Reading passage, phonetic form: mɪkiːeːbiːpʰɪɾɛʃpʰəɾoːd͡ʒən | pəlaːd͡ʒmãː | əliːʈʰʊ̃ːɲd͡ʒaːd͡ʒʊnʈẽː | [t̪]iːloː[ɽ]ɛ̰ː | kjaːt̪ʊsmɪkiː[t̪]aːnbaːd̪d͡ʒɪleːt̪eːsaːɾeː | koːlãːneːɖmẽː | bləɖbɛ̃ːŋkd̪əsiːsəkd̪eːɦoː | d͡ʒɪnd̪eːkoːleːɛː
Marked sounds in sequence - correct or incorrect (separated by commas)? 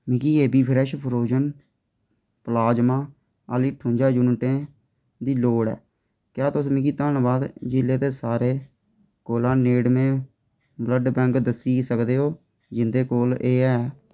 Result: incorrect, correct, correct